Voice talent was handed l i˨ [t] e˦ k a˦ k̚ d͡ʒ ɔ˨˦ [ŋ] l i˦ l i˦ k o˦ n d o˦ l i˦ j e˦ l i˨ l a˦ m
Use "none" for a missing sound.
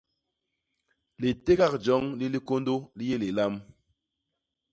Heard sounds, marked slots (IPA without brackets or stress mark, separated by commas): t, ŋ